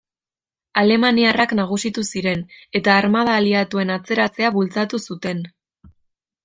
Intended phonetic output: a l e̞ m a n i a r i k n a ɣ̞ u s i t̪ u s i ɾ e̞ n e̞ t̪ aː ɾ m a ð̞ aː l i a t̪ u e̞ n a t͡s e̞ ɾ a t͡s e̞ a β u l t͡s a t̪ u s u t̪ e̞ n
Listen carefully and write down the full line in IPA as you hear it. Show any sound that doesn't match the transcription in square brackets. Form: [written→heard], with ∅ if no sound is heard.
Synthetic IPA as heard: a l e̞ m a n i a r [i→a] k n a ɣ̞ u s i t̪ u s i ɾ e̞ n e̞ t̪ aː ɾ m a ð̞ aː l i a t̪ u e̞ n a t͡s e̞ ɾ a t͡s e̞ a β u l t͡s a t̪ u s u t̪ e̞ n